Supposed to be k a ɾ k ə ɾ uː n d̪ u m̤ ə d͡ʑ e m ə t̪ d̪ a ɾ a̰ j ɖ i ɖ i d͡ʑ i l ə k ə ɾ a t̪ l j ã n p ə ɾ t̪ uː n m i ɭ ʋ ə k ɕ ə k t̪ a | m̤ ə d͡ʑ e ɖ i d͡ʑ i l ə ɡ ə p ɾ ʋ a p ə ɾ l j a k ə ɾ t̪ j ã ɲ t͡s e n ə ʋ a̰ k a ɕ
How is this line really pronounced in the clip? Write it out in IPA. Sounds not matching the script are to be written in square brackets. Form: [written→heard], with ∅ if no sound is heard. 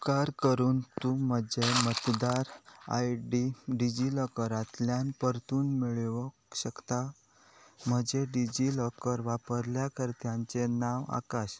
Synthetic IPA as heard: k a ɾ k ə ɾ uː n [d̪→t̪] u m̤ ə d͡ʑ e m ə t̪ d̪ a ɾ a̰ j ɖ i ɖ i d͡ʑ i l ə k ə ɾ a t̪ l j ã n p ə ɾ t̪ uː n m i ɭ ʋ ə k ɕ ə k t̪ a | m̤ ə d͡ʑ e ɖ i d͡ʑ i l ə [ɡ→k] ə [p→∅] ɾ ʋ a p ə ɾ l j a k ə ɾ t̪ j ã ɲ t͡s e n [ə→a] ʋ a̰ k a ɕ